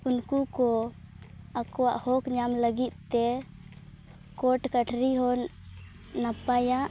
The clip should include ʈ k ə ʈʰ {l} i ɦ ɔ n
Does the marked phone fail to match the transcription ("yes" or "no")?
yes